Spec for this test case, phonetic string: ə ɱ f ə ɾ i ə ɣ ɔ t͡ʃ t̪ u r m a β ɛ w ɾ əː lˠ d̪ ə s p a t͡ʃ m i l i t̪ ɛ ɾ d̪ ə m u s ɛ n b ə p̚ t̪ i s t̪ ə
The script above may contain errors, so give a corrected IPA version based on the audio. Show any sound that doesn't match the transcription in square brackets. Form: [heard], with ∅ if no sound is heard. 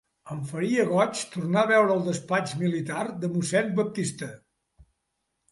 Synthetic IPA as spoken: ə ɱ f ə ɾ i ə ɣ ɔ t͡ʃ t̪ u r [n] a β ɛ w ɾ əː lˠ d̪ ə s p a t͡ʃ m i l i t̪ [a] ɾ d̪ ə m u s ɛ n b ə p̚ t̪ i s t̪ ə